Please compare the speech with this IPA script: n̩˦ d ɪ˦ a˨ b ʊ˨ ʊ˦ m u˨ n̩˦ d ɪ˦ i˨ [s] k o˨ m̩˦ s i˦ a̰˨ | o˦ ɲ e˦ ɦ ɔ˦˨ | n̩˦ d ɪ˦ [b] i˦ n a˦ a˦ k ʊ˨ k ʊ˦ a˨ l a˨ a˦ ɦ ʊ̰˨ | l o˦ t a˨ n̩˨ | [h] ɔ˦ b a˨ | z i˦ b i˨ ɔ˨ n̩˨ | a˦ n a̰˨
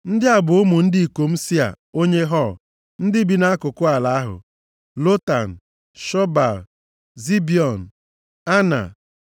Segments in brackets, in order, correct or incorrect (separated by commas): incorrect, correct, incorrect